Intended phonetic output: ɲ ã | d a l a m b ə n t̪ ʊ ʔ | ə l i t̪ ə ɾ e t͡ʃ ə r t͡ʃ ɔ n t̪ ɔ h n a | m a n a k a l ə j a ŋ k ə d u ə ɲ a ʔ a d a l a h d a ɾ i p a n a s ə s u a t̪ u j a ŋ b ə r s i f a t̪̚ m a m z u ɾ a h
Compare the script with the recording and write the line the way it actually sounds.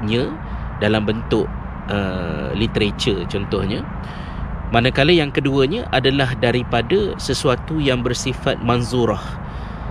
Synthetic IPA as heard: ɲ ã | d a l a m b ə n t̪ ʊ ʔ | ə l i t̪ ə ɾ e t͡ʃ ə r t͡ʃ ɔ n t̪ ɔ h ɲ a | m a n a k a l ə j a ŋ k ə d u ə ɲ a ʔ a d a l a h d a ɾ i p a d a s ə s u a t̪ u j a ŋ b ə r s i f a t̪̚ m a n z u ɾ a h